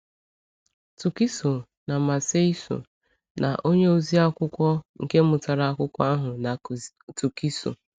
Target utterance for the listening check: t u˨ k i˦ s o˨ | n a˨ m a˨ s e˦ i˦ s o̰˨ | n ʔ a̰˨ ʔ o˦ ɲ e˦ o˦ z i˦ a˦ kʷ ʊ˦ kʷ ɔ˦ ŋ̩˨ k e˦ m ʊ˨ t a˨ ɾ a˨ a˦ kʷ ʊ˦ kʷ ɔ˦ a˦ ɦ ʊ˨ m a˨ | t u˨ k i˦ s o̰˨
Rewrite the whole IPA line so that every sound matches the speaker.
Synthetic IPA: t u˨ k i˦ s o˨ | n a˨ m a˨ s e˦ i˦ s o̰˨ | n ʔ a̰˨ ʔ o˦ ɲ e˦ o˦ z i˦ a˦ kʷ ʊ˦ kʷ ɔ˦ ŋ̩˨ k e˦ m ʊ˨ t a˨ ɾ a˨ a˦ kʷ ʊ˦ kʷ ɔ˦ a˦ ɦ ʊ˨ n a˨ | t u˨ k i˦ s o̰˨